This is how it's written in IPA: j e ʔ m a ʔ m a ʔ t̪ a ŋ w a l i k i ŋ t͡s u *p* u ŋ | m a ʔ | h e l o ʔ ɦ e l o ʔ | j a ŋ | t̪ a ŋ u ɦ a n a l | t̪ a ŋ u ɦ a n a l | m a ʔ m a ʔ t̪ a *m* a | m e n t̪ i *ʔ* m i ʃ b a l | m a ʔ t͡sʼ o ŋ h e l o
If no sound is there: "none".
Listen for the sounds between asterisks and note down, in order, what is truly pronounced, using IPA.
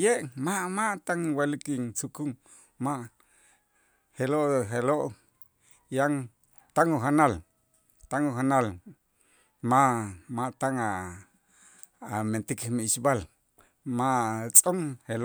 k, ŋ, k

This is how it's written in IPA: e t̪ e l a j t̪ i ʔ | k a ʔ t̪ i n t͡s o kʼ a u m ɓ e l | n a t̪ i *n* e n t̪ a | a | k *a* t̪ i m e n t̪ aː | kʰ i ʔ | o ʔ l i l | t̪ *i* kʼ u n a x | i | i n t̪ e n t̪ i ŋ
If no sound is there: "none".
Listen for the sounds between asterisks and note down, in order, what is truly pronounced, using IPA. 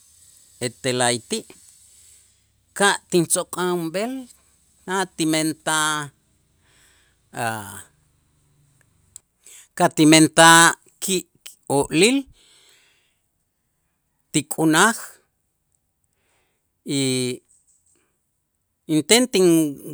m, a, i

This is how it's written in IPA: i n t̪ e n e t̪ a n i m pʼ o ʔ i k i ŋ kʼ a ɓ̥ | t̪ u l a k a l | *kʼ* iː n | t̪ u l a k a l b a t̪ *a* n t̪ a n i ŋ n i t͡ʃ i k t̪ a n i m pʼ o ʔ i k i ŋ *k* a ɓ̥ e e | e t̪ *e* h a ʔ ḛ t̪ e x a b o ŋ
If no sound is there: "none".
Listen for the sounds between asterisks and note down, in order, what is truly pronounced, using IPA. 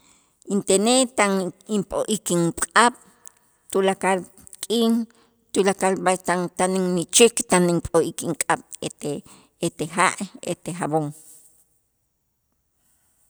kʼ, a, kʼ, e

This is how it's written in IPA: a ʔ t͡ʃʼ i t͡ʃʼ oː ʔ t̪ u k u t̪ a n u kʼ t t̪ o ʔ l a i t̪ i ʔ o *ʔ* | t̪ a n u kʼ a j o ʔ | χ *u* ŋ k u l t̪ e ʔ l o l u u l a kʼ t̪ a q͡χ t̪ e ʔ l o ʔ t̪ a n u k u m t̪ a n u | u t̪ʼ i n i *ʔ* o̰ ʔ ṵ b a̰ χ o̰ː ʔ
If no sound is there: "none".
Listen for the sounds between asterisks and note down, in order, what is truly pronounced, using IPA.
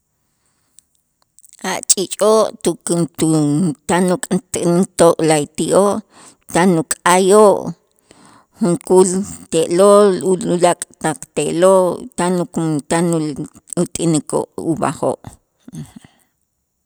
ʔ, u, k

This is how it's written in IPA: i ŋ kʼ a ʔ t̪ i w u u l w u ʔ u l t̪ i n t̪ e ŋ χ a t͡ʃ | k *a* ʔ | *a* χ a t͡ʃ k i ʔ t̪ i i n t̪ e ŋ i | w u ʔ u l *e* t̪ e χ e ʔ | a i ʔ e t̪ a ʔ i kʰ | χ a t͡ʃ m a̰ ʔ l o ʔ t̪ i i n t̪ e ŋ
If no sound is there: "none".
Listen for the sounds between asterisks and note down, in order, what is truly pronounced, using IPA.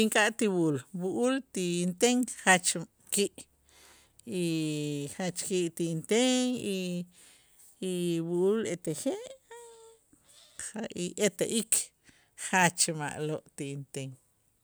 i, i, e

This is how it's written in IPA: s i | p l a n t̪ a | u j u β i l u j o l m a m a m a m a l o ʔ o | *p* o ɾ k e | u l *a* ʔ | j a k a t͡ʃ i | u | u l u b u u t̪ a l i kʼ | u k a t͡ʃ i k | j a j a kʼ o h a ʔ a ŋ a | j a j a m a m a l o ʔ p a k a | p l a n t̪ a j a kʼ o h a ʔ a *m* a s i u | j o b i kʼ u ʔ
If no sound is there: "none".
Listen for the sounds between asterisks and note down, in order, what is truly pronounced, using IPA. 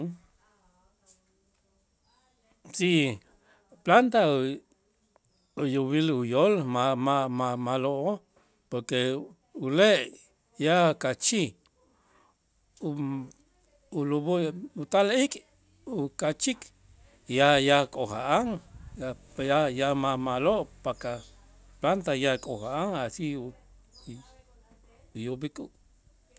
p, e, ŋ

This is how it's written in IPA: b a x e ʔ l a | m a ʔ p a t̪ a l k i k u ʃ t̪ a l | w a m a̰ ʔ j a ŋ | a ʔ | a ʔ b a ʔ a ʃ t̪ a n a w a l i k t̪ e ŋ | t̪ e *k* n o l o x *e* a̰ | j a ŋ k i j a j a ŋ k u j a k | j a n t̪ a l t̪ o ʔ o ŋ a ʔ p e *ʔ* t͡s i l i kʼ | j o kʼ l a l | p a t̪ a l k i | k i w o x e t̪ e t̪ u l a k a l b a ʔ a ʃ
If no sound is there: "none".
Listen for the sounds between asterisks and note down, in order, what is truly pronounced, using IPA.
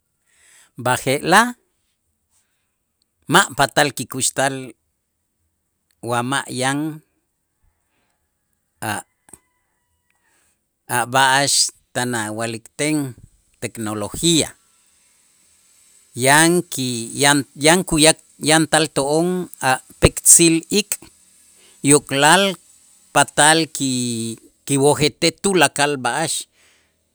k, i, k

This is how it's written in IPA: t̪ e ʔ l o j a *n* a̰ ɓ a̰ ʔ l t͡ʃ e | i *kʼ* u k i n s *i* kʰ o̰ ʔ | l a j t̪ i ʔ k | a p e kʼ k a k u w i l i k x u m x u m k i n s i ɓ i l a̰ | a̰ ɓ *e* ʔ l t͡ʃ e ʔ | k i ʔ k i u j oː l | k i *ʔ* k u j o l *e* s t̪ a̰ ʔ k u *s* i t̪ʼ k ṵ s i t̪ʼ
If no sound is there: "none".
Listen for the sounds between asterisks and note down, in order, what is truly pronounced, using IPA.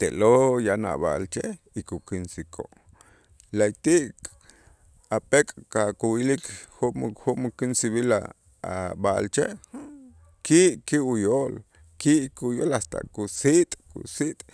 n, k, i, a, ʔ, a, s

